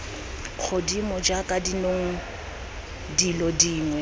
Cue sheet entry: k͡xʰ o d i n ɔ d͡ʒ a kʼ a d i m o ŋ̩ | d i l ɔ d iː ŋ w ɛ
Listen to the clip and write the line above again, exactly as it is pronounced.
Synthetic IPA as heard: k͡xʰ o d i m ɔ d͡ʒ a kʼ a d i n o ŋ̩ | d i l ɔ d iː ŋ w ɛ